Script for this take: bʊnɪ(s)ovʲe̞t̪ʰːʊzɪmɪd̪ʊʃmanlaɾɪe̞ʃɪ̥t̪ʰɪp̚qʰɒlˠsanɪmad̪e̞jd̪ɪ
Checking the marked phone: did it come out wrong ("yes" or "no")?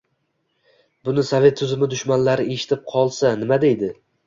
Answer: no